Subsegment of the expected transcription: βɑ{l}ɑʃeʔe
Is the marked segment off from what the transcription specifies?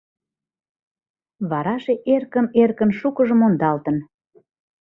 yes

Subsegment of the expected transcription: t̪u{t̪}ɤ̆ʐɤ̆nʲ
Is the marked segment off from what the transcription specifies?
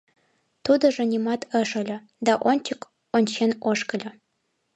yes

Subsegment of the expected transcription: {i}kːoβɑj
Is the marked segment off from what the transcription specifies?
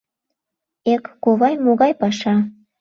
yes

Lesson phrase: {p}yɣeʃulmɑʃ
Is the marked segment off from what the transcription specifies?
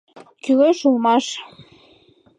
yes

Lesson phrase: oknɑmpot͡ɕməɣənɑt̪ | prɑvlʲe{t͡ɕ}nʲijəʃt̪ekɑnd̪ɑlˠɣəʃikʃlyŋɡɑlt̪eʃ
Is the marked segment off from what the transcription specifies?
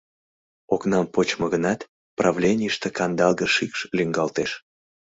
yes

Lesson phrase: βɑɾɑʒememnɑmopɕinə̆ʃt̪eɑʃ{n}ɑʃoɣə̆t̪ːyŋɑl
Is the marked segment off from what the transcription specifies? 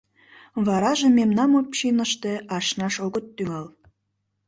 no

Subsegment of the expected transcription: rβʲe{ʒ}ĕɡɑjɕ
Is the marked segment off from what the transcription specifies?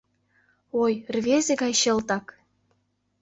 yes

